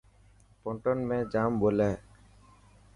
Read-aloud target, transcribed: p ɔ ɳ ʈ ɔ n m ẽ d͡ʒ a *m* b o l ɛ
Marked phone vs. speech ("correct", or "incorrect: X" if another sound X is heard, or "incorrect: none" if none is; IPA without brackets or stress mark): correct